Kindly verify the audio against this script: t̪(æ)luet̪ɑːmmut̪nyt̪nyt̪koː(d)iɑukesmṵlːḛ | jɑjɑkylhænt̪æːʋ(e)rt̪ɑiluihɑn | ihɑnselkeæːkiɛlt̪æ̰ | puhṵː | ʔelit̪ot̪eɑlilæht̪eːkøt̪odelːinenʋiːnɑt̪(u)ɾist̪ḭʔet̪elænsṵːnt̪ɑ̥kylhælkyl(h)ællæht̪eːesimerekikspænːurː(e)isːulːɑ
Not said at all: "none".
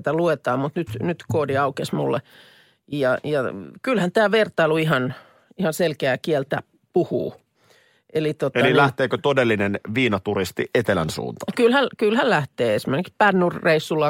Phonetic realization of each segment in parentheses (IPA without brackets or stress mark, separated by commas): æ, d, e, u, h, e